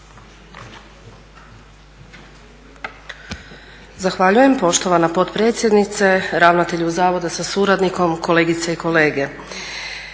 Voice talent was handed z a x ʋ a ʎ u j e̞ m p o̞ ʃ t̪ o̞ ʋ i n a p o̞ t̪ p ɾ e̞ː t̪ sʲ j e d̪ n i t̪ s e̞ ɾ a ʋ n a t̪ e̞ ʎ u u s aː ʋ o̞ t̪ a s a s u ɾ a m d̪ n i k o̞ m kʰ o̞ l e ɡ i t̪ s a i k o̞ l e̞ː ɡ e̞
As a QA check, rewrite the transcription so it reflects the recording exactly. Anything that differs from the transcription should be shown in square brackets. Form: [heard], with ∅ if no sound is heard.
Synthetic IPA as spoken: z a x ʋ a ʎ u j e̞ m p o̞ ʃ t̪ o̞ ʋ [a] n a p o̞ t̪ p ɾ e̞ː t̪ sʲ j e d̪ n i t̪ s e̞ ɾ a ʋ n a t̪ e̞ ʎ u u [z] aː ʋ o̞ [d̪] a s a s u ɾ a [∅] d̪ n i k o̞ m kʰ o̞ l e ɡ i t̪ s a i k o̞ l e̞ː ɡ e̞